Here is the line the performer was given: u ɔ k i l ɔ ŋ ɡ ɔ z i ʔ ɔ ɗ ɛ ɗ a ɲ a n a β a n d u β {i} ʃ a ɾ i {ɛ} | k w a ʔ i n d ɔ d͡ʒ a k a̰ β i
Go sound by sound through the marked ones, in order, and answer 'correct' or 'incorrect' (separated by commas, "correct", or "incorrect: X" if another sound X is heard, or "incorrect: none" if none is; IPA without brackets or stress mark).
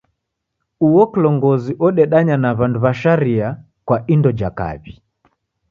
incorrect: a, incorrect: a